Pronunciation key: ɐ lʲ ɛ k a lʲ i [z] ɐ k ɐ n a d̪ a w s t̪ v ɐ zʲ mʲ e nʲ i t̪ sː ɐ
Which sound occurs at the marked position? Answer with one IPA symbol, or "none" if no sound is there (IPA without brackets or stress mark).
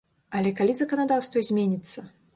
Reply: z